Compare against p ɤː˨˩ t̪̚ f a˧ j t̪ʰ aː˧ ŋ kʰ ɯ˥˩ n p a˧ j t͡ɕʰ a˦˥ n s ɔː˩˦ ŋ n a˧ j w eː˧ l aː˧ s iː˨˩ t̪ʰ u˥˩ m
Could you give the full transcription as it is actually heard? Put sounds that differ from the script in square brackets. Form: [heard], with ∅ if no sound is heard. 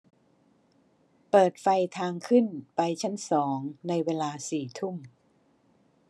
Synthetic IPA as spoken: p ɤː˨˩ t̪̚ f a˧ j t̪ʰ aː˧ ŋ kʰ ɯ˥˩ n p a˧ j t͡ɕʰ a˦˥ n s ɔː˩˦ ŋ n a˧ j w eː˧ l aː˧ s iː˨˩ t̪ʰ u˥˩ m